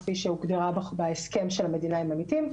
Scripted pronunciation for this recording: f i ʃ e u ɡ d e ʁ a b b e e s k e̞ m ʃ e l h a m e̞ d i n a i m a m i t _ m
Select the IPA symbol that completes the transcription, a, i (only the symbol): i